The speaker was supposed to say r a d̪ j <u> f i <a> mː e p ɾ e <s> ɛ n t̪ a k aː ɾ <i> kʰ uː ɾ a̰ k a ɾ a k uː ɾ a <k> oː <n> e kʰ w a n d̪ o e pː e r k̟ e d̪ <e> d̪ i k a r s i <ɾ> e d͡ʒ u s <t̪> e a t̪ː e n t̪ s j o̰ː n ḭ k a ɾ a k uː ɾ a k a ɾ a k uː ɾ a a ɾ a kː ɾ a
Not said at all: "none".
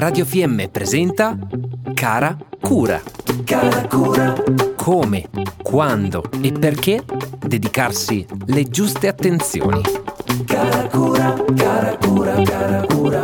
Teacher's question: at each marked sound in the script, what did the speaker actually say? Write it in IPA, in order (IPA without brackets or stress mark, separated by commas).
o, ɛ, z, a, kʰ, m, e, l, t̪